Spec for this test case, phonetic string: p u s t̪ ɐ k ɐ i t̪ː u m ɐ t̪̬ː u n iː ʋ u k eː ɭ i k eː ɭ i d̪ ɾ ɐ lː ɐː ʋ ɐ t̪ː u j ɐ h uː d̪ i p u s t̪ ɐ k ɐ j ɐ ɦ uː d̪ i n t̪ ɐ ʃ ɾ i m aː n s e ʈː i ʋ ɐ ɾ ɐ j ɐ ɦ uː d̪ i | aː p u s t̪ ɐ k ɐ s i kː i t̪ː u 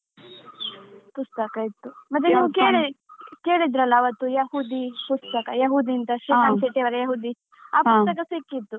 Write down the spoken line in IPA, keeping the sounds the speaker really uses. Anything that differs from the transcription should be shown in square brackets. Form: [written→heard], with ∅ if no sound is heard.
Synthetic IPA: p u s t̪ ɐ k ɐ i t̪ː u m ɐ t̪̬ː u n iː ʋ u k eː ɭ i k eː ɭ i d̪ ɾ ɐ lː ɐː ʋ ɐ t̪ː u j ɐ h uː d̪ i p u s t̪ ɐ k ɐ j ɐ ɦ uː d̪ i n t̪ ɐ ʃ ɾ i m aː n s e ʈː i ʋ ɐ ɾ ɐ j ɐ ɦ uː d̪ i | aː p u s t̪ ɐ k ɐ s i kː i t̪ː u

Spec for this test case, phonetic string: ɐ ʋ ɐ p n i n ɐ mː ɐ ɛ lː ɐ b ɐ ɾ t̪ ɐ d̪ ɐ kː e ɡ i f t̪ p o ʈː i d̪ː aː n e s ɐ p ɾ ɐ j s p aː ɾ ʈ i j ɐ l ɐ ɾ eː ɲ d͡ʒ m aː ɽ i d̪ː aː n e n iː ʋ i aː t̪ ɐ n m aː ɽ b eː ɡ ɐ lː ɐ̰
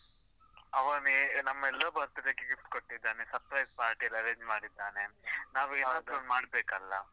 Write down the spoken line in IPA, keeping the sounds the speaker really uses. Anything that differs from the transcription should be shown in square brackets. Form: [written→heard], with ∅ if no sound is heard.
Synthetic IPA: ɐ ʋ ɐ [p→∅] n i n ɐ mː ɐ ɛ lː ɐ b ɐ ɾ t̪ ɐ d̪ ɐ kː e ɡ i f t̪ [p→k] o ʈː i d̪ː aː n e s ɐ p ɾ ɐ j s p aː ɾ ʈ i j ɐ l ɐ ɾ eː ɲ d͡ʒ m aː ɽ i d̪ː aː n e n [iː→aː] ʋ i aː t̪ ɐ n m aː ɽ b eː [ɡ→k] ɐ lː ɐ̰

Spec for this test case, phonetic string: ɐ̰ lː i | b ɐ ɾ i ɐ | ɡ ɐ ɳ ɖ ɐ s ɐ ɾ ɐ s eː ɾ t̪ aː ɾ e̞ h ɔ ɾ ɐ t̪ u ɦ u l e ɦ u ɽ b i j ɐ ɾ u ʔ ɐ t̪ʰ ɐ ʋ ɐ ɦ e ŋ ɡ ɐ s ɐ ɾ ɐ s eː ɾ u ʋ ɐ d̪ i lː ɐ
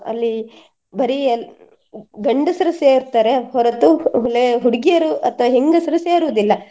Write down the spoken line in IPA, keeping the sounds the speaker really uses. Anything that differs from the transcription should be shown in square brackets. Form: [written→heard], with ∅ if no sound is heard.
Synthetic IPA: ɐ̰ lː i | b ɐ ɾ i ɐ | ɡ ɐ ɳ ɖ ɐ s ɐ ɾ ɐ s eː ɾ t̪ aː ɾ e̞ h ɔ ɾ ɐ t̪ u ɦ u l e ɦ u ɽ [b→ɡ] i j ɐ ɾ u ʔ ɐ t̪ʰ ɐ ʋ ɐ ɦ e ŋ ɡ ɐ s ɐ ɾ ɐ s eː ɾ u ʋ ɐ d̪ i lː ɐ

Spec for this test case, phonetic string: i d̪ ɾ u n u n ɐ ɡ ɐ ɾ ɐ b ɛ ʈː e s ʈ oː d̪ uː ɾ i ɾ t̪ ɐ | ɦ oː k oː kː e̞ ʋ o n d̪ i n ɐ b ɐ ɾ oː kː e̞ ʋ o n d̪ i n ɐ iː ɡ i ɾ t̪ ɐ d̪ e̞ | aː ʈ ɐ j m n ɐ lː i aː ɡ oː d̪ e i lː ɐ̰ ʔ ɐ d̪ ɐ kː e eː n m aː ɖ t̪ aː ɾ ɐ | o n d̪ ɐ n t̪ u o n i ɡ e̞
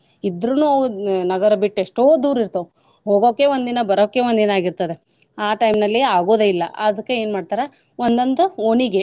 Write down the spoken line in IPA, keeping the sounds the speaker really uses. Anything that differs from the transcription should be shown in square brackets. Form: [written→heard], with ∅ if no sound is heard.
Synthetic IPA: i d̪ ɾ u n u n ɐ ɡ ɐ ɾ ɐ b [ɛ→i] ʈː e [s→ʂ] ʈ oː d̪ uː ɾ i ɾ t̪ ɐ | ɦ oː [k→ɡ] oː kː e̞ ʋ o n d̪ i n ɐ b ɐ ɾ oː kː e̞ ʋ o n d̪ i n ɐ [iː→aː] ɡ i ɾ t̪ ɐ d̪ e̞ | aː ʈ ɐ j m n ɐ lː i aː ɡ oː d̪ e i lː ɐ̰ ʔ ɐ d̪ ɐ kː e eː n m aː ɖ t̪ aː ɾ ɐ | o n d̪ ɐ n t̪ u o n i ɡ e̞

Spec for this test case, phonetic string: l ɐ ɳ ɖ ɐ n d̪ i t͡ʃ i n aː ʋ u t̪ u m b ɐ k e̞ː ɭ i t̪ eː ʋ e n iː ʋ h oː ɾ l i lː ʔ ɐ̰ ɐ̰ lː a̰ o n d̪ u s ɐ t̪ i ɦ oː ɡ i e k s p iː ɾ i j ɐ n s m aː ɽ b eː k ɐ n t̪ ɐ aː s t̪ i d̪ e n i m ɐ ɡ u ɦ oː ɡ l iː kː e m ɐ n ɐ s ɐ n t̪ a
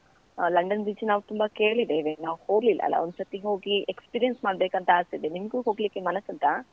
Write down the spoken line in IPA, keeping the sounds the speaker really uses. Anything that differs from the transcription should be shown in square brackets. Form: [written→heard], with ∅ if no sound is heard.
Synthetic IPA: l ɐ ɳ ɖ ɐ n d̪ i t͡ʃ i n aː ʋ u t̪ u m b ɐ k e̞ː ɭ i [t̪→d̪] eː ʋ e n [iː→aː] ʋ h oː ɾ l i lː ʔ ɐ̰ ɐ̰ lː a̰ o n d̪ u s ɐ t̪ i ɦ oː ɡ i e k s p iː ɾ i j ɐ n s m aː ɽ b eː k ɐ n t̪ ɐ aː s t̪ i d̪ e n i m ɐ ɡ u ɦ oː ɡ l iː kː e m ɐ n ɐ s ɐ n t̪ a

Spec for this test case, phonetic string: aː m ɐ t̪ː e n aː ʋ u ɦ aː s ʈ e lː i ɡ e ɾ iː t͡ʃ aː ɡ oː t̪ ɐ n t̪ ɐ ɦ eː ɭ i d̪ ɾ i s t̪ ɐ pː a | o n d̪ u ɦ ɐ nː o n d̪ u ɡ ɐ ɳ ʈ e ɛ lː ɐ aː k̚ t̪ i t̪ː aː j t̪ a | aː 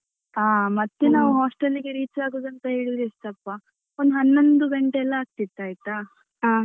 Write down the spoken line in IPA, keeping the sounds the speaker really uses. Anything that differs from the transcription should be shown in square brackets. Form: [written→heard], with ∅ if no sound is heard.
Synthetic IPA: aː m ɐ t̪ː e n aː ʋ u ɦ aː s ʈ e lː i ɡ e ɾ iː t͡ʃ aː ɡ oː [t̪→d̪] ɐ n t̪ ɐ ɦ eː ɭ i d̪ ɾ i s t̪ ɐ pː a | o n d̪ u ɦ ɐ nː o n d̪ u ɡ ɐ ɳ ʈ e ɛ lː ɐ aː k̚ t̪ i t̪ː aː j t̪ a | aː

